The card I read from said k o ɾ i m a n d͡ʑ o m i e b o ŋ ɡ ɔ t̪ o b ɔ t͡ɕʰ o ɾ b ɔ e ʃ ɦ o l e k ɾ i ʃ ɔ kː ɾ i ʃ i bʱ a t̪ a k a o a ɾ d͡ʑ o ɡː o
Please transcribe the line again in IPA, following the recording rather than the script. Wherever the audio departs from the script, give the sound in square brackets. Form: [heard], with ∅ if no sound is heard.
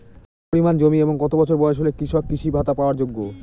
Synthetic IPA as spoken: [p] o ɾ i m a n d͡ʑ o m i e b o ŋ ɡ ɔ t̪ o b ɔ t͡ɕʰ o ɾ b ɔ e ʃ ɦ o l e k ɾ i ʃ ɔ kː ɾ i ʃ i bʱ a t̪ a [p] a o a ɾ d͡ʑ o ɡː o

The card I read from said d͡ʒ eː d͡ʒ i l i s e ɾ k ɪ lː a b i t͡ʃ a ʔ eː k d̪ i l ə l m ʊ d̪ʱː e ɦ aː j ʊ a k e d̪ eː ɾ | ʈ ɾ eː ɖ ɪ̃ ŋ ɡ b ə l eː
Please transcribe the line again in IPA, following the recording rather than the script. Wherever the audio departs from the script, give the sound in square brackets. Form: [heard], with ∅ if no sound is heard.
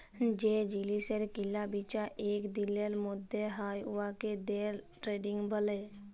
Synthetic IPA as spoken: d͡ʒ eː d͡ʒ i l i s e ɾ k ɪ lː a b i t͡ʃ a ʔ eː k d̪ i l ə l m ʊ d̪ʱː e ɦ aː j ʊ a k e d̪ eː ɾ | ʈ ɾ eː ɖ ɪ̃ ŋ ɡ b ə l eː

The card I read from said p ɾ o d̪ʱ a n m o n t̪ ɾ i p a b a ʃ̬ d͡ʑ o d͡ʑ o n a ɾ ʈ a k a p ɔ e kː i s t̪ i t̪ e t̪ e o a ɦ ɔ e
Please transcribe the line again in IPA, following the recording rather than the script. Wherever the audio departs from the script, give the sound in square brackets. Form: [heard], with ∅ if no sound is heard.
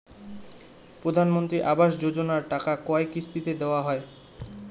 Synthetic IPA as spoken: p ɾ o d̪ʱ a n m o n t̪ ɾ i [ʔ] a b a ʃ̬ d͡ʑ o d͡ʑ o n a ɾ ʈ a k a [k] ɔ e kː i s t̪ i t̪ e [d̪] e o a ɦ ɔ e

